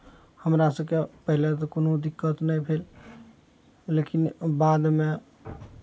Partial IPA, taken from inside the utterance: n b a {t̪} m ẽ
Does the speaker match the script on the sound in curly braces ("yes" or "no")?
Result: no